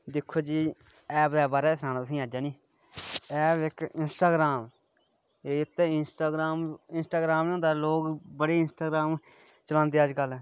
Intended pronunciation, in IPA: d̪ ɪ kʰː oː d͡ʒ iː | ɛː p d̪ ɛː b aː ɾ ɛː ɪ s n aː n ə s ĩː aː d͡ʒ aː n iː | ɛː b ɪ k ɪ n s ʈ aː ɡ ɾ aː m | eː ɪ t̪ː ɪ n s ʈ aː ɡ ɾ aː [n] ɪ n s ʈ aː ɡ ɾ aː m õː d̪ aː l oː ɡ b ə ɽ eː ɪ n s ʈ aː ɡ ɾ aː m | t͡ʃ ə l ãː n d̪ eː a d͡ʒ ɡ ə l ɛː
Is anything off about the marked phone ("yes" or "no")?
yes